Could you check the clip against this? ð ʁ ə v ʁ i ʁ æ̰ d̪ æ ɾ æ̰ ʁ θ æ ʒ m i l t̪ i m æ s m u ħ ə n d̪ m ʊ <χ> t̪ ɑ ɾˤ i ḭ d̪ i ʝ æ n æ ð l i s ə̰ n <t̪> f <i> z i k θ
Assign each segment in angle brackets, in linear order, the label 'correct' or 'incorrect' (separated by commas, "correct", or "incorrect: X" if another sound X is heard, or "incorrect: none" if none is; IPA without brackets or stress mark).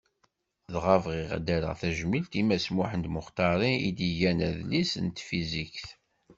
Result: correct, correct, correct